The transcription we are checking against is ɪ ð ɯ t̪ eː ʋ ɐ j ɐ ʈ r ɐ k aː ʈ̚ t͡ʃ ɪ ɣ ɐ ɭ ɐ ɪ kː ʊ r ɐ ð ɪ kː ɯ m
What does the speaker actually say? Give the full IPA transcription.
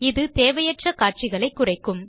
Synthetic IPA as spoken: ɪ ð ɯ t̪ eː ʋ ɐ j ɐ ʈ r ɐ k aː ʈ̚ t͡ʃ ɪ ɣ ɐ ɭ ɐ ɪ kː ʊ r ɐ ɪ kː ɯ m